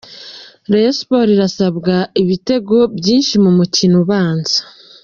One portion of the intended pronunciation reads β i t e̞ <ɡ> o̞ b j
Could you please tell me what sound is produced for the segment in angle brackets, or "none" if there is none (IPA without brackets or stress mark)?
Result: ɡ